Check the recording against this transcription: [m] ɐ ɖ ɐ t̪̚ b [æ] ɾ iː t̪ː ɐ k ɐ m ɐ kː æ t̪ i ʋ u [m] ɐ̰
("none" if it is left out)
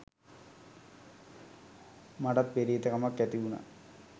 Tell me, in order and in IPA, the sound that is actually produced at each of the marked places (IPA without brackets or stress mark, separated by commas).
m, e, n